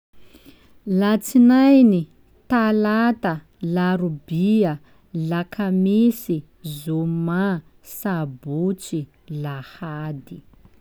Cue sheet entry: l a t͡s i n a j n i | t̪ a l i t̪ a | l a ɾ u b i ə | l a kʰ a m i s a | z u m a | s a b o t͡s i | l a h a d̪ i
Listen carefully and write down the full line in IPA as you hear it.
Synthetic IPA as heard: l a t͡s i n a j n i | t̪ a l a t̪ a | l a ɾ u b i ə | l a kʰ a m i s i | z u m a | s a b u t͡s i | l a h a d̪ i